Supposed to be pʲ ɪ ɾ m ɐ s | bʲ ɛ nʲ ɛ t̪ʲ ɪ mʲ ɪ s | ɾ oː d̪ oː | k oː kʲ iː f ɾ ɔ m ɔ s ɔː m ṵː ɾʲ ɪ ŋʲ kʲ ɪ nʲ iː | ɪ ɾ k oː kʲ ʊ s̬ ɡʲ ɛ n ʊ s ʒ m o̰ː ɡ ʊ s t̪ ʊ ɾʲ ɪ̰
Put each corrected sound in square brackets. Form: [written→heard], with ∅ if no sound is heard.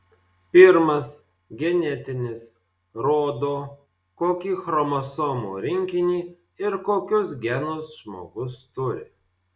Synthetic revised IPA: pʲ ɪ ɾ m ɐ s | [bʲ→ɡʲ] ɛ nʲ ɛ t̪ʲ ɪ [mʲ→nʲ] ɪ s | ɾ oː d̪ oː | k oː kʲ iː [f→x] ɾ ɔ m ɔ s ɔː m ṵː ɾʲ ɪ ŋʲ kʲ ɪ nʲ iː | ɪ ɾ k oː kʲ ʊ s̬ ɡʲ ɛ n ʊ s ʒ m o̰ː ɡ ʊ s t̪ ʊ ɾʲ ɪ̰